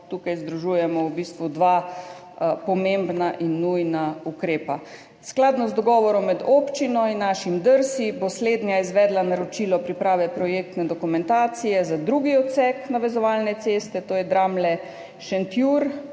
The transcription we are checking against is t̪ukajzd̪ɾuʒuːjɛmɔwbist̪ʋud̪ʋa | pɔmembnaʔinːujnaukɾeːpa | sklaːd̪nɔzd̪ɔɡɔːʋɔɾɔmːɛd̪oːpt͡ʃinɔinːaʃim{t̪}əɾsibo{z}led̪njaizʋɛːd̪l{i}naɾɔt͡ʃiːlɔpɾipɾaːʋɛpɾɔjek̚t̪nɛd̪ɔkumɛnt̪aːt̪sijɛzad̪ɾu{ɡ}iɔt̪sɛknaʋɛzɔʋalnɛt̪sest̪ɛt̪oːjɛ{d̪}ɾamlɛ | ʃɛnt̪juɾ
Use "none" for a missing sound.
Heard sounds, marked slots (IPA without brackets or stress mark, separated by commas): d̪, s, a, ɡ, d̪